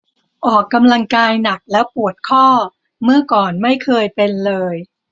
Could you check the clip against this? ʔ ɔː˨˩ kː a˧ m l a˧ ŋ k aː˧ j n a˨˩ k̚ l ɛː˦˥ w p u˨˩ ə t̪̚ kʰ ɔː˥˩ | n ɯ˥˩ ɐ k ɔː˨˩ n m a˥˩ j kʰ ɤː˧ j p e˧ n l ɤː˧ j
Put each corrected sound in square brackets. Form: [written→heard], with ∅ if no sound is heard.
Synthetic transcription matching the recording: ʔ ɔː˨˩ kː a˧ m l a˧ ŋ k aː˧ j n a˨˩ k̚ l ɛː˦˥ w p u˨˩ ə t̪̚ kʰ ɔː˥˩ | [n→m] ɯ˥˩ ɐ k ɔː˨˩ n m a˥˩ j kʰ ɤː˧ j p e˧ n l ɤː˧ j